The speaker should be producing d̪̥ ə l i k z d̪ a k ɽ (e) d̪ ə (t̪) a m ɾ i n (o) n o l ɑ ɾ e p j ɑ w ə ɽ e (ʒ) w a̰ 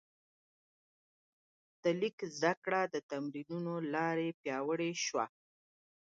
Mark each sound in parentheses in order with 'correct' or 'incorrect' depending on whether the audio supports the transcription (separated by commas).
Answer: incorrect, correct, incorrect, incorrect